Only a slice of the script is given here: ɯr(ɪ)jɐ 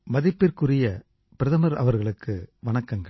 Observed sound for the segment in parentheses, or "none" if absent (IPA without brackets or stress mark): ɪ